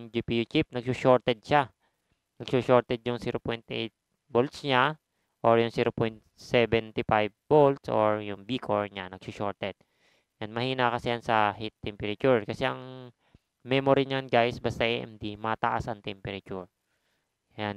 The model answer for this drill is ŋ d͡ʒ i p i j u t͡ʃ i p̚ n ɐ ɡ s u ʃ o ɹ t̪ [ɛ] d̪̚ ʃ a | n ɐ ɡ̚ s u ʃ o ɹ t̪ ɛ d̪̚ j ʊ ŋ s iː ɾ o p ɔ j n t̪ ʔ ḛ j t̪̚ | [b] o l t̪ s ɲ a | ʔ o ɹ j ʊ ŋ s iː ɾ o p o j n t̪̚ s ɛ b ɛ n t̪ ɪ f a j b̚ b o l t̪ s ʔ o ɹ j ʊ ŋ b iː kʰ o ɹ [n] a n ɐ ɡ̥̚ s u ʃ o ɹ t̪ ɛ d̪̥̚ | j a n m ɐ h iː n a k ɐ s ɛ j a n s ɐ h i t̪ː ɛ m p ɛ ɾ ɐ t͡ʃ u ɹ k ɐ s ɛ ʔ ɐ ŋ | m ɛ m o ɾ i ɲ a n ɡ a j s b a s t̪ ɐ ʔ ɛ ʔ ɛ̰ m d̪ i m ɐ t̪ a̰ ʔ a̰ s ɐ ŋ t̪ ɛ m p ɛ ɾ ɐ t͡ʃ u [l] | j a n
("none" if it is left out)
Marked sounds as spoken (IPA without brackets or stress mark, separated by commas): ɛ, b, ɲ, ɹ